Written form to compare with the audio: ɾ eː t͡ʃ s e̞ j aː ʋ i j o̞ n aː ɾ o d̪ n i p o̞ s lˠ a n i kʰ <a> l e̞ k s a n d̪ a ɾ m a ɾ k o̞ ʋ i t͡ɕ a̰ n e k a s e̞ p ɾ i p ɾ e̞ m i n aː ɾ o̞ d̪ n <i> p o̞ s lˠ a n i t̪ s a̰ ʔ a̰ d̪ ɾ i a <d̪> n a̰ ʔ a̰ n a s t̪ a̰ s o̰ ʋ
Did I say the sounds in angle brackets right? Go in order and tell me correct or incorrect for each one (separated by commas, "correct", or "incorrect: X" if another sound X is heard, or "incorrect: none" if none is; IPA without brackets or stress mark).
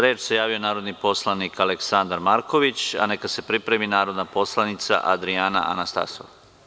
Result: correct, incorrect: a, incorrect: none